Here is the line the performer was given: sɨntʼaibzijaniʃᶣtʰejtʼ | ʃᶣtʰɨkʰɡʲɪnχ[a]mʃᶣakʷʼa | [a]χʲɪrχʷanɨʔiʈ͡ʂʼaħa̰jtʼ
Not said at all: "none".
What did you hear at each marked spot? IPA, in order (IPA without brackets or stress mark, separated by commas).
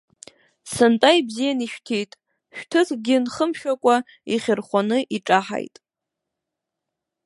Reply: ə, i